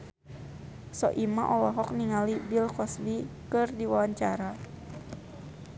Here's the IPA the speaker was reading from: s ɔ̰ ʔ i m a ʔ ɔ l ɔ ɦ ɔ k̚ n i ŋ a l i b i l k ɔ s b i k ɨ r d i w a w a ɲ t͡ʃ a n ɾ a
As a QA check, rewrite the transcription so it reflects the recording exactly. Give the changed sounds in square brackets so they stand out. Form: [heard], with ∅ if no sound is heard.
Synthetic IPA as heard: s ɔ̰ ʔ i m a ʔ ɔ l ɔ ɦ ɔ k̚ n i ŋ a l i b i l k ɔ s b i k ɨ r d i w a w a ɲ t͡ʃ a [∅] ɾ a